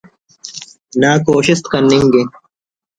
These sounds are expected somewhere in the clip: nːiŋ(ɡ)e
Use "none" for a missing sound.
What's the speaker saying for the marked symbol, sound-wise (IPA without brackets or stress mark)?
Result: ɡ